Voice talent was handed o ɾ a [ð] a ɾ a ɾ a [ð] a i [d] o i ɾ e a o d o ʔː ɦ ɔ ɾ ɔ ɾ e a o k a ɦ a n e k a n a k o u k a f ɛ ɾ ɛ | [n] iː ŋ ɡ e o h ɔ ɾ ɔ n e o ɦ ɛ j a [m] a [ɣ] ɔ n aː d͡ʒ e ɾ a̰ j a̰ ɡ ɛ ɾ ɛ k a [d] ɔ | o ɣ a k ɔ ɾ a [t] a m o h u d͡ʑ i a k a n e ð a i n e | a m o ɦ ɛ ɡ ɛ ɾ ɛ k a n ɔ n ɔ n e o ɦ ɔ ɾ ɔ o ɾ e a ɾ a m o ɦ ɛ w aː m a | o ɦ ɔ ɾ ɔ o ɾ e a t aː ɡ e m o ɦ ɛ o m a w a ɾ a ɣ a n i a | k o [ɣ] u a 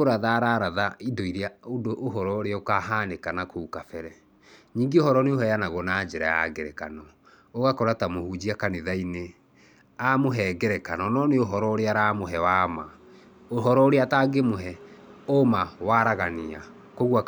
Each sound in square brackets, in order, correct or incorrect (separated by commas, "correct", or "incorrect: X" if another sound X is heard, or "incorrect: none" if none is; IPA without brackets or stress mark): correct, correct, correct, incorrect: ɲ, incorrect: n, correct, incorrect: n, correct, correct